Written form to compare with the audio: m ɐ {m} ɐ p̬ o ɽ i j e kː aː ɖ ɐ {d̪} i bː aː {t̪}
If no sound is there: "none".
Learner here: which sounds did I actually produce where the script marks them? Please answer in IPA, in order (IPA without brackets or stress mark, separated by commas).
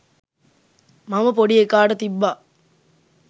m, t̪, none